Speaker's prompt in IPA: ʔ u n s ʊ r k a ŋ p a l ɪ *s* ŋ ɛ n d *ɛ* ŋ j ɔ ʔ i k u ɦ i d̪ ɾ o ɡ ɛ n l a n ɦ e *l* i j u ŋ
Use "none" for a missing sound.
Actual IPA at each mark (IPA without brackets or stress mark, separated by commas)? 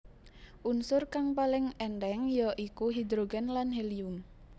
none, ɛ, l